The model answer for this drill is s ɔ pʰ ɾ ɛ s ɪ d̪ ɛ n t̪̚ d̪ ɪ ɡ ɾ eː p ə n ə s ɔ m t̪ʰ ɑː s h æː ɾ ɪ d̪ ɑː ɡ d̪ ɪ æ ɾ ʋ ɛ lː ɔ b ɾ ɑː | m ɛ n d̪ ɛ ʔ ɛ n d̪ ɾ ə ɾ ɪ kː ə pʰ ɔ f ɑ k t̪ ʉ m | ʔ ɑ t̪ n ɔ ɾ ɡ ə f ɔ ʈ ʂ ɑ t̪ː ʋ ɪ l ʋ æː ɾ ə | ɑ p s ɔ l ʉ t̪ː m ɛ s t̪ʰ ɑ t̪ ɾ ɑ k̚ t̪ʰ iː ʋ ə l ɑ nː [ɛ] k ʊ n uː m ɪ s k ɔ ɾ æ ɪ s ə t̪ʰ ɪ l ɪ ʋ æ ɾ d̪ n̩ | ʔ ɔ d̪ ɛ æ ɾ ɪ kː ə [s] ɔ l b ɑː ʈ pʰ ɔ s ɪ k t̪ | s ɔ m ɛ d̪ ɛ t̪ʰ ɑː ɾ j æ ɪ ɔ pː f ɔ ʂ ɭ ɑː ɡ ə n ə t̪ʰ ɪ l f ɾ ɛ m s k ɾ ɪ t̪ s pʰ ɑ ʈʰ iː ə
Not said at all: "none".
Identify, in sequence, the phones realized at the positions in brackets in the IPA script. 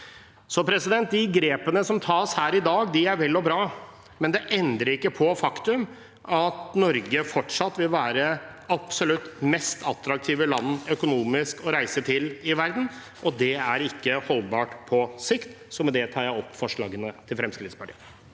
œ, h

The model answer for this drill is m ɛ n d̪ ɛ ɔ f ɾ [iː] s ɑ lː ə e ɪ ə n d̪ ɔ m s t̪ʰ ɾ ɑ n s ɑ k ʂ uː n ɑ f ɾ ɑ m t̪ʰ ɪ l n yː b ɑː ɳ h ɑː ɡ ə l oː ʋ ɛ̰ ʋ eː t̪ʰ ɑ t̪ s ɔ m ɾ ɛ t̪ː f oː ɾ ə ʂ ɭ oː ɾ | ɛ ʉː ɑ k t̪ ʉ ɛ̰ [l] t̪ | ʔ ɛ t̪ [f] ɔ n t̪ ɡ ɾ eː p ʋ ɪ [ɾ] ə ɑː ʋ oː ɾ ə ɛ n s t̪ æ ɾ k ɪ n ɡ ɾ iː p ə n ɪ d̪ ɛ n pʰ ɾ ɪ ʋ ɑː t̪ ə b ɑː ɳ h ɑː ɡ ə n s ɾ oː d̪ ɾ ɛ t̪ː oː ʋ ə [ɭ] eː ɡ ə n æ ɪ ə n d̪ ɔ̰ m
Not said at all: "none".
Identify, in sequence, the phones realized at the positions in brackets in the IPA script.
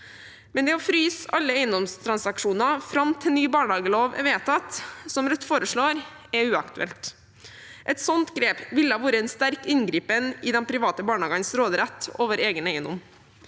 yː, l, s, l, ɾ

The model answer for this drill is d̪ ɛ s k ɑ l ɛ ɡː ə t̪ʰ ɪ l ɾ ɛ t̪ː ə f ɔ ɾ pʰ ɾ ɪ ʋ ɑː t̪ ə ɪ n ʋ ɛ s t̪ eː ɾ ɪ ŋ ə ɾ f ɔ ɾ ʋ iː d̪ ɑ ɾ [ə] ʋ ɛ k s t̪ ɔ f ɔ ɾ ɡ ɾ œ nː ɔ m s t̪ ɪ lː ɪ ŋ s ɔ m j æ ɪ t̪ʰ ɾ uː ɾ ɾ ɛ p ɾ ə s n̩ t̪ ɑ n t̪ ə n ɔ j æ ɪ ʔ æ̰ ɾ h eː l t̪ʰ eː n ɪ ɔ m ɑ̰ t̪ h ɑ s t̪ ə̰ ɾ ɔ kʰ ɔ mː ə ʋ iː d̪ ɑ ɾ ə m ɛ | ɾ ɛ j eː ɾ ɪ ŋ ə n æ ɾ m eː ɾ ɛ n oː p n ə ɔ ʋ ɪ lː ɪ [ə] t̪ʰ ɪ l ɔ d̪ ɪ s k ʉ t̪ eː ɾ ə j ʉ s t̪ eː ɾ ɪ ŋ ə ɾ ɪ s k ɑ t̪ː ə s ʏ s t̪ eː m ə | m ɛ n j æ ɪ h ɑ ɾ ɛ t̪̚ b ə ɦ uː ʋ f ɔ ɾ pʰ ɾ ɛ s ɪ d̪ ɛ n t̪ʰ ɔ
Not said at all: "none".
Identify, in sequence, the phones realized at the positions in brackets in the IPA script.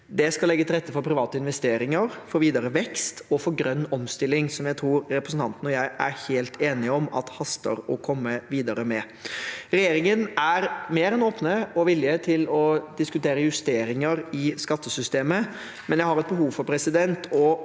ə, ə

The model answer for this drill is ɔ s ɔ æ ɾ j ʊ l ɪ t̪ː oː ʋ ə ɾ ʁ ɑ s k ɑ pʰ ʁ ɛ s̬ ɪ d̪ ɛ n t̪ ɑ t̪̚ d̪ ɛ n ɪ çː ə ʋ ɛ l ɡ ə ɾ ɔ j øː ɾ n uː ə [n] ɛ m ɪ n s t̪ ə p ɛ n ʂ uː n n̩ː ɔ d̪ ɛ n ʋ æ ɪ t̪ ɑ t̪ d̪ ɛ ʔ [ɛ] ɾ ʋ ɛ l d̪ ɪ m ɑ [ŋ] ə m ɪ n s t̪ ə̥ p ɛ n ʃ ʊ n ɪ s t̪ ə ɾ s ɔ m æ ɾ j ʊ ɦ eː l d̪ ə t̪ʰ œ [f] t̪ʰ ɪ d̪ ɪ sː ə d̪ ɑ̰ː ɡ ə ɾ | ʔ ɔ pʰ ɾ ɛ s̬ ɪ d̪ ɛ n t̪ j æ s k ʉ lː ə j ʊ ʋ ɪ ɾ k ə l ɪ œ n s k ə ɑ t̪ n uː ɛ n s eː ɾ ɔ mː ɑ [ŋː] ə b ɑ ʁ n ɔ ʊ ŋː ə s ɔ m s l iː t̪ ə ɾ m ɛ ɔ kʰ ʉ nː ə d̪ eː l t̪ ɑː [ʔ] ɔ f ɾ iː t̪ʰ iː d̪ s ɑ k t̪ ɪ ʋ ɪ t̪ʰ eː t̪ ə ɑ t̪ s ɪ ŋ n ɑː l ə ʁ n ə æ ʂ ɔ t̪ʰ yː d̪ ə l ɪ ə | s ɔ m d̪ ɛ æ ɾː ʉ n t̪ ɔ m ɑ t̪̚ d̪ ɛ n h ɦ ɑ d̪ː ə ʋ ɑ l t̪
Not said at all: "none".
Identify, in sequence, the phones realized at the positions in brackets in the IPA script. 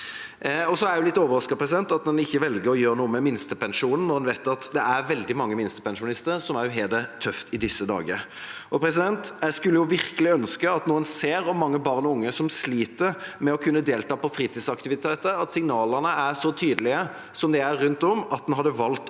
m, æ, ŋː, f, ŋː, p

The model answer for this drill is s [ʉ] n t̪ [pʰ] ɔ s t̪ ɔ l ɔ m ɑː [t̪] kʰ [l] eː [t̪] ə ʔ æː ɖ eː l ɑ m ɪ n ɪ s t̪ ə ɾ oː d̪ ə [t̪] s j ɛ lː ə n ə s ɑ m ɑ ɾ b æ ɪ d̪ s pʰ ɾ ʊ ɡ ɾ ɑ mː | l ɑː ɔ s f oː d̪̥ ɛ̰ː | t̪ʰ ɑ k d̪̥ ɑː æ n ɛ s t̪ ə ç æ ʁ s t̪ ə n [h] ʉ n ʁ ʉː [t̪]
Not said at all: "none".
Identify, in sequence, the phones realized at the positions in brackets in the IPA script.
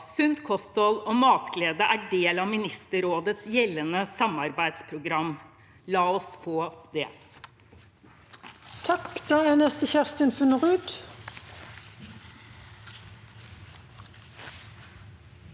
ʉ, kʰ, t̪, l, d̪, t̪, f, d̪

